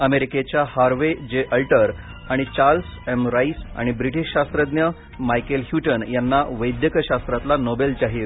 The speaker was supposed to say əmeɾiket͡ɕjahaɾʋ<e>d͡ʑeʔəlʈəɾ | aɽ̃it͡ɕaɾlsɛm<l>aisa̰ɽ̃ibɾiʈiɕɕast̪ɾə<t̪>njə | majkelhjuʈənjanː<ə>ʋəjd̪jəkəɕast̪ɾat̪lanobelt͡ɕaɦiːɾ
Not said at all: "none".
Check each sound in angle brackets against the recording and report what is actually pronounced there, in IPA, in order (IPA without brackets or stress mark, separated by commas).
e, ɾ, d̪, a